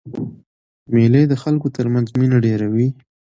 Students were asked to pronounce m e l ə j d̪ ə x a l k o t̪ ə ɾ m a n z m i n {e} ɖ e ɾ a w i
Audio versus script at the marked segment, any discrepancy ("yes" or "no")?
yes